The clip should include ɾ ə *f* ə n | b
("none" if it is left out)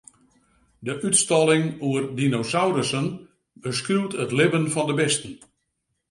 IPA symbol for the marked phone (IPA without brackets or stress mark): s